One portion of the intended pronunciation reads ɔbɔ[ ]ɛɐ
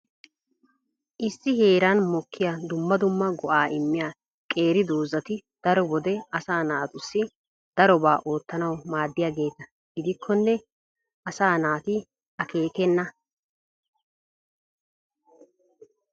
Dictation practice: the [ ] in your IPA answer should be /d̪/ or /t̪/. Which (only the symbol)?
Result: d̪